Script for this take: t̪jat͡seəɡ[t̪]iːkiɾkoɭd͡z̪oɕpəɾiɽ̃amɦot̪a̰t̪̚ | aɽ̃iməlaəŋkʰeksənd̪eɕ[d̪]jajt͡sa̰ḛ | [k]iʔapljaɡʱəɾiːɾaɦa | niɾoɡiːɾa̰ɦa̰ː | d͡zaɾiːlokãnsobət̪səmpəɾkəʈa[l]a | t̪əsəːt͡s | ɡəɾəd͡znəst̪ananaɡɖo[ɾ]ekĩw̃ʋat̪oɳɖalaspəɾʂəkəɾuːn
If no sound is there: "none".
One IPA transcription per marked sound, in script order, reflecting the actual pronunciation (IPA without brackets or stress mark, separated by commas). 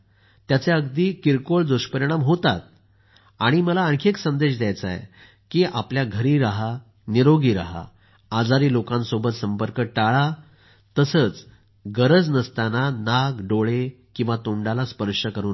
d̪, d̪, k, ɭ, ɭ